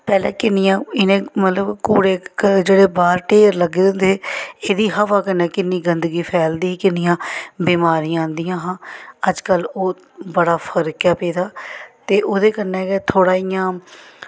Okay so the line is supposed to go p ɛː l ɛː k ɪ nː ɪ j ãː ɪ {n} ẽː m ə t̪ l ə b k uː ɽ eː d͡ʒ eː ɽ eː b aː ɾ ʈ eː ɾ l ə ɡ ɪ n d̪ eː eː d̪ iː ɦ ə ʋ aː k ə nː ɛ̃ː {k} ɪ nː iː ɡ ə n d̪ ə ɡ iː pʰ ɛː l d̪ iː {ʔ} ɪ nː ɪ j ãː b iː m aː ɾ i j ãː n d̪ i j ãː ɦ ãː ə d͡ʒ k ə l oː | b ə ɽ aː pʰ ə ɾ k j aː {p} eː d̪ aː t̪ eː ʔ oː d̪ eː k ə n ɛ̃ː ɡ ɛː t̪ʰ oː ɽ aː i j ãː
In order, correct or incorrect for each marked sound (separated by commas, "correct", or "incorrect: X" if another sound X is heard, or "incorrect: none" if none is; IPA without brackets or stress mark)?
correct, correct, incorrect: k, correct